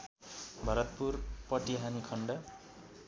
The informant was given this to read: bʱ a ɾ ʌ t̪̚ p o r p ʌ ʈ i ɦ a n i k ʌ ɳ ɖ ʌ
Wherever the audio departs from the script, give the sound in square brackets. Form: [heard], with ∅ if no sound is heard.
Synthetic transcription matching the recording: bʱ [ʌ] ɾ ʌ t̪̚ p [u] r p ʌ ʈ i ɦ a n i [kʰ] ʌ ɳ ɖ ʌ